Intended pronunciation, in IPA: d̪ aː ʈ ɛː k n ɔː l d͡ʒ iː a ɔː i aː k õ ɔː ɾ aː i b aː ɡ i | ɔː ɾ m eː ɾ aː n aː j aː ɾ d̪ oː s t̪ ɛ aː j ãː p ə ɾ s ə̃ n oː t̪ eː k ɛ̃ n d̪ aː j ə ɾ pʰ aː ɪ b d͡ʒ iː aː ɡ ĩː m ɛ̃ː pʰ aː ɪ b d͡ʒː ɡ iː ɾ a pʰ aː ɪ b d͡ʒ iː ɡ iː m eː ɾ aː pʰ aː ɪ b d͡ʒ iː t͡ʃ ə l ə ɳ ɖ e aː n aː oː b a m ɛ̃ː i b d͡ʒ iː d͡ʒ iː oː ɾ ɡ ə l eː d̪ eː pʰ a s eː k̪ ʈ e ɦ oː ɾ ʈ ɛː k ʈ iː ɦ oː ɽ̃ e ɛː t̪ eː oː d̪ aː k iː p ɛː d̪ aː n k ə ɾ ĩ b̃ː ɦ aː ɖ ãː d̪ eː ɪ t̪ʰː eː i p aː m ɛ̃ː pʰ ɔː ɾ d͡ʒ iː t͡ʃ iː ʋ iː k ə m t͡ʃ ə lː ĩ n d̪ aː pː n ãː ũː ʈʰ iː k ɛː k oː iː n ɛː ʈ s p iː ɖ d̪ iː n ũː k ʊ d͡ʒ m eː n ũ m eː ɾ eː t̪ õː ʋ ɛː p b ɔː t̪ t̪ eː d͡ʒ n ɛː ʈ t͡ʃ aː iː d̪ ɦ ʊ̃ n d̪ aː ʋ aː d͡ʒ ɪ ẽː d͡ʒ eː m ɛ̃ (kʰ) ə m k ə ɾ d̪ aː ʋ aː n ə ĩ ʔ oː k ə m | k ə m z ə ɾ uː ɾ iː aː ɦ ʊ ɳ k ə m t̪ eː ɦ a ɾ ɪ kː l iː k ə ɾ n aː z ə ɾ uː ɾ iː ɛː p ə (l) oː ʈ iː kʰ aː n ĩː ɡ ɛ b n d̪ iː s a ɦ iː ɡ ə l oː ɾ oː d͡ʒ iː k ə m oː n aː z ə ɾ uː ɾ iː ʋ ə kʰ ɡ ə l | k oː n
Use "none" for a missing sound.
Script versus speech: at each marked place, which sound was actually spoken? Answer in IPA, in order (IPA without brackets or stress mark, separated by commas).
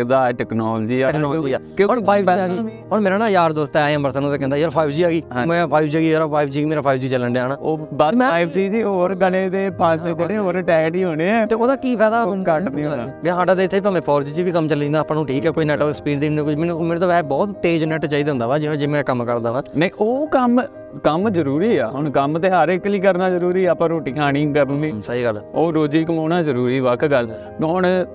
k, ɾ